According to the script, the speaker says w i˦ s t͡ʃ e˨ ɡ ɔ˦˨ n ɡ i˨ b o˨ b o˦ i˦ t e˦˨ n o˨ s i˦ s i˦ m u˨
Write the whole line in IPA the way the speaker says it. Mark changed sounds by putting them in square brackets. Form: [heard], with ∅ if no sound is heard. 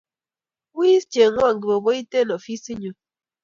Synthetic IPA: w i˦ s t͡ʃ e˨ [ŋ] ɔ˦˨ [ŋ] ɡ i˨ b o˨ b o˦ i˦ t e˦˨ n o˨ [f] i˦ s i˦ [ɲ] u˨